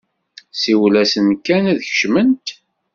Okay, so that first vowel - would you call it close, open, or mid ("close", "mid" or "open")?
close